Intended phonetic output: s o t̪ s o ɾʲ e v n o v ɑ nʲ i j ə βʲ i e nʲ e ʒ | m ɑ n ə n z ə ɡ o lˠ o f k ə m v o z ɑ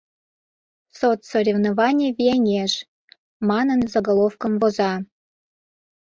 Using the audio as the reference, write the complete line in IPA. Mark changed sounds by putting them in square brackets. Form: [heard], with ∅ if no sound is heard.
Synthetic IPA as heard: s o t̪ s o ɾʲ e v n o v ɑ nʲ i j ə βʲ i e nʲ e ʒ | m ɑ n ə n z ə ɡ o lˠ o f k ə m v o z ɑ